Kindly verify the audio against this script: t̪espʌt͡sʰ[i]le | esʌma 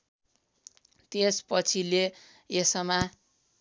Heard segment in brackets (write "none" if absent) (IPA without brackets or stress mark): i